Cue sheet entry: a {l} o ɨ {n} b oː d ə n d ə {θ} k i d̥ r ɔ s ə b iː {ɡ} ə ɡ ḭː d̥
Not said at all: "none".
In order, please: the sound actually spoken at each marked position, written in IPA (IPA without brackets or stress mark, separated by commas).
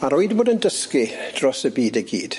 ɾ, d, s, d